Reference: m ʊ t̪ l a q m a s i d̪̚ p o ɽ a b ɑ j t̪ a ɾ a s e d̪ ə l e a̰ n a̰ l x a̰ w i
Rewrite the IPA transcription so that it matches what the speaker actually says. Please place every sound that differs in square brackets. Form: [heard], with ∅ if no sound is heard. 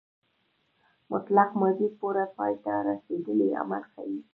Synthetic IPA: m ʊ t̪ l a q m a [z] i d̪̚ p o [ɾ] a [p] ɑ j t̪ a ɾ a s e d̪ ə l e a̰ [m] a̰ l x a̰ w i